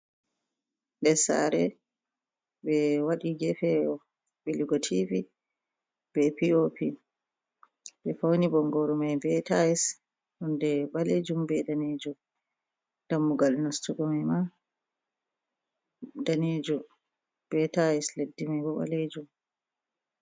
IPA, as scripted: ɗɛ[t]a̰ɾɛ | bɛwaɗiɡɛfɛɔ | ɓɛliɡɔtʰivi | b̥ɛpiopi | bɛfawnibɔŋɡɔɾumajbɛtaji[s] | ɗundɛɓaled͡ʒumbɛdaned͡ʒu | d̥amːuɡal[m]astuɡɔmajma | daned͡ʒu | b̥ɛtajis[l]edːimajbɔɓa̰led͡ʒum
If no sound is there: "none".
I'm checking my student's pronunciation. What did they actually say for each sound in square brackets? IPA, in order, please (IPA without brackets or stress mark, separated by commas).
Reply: s, s, n, l